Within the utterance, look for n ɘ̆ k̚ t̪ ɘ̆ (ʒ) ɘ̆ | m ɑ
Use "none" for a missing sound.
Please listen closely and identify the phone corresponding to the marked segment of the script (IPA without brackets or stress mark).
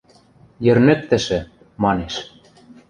ʃ